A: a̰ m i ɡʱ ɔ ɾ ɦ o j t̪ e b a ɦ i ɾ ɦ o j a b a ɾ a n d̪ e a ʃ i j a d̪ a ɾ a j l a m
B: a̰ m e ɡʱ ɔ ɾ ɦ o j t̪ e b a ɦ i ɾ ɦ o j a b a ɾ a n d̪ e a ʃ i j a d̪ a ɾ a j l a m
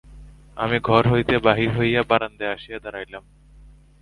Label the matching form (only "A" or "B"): A